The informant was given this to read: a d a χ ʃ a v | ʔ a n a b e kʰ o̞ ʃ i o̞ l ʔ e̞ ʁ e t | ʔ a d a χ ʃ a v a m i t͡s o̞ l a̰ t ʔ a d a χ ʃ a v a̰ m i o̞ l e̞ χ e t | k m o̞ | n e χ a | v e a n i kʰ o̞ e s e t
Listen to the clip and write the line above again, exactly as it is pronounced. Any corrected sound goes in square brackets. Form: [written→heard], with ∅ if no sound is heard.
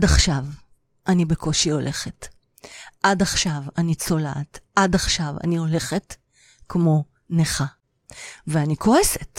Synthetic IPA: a d a χ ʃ a v | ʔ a n [a→i] b e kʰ o̞ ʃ i o̞ l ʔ e̞ [ʁ→χ] e t | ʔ a d a χ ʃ a v a [m→n] i t͡s o̞ l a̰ t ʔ a d a χ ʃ a v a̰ [m→n] i o̞ l e̞ χ e t | k m o̞ | n e χ a | v e a n i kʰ o̞ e s e t